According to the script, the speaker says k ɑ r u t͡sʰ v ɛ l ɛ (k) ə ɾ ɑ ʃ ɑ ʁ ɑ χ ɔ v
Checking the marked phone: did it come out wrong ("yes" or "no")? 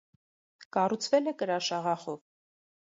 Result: no